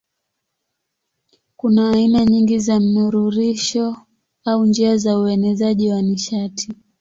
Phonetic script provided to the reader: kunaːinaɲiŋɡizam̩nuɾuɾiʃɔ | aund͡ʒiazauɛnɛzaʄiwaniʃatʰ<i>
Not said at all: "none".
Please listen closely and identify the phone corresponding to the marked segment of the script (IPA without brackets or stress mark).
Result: i